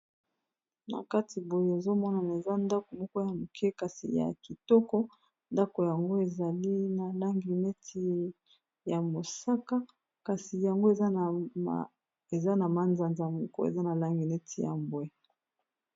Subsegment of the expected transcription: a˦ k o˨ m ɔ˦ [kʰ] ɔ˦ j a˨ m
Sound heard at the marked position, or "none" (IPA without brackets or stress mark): k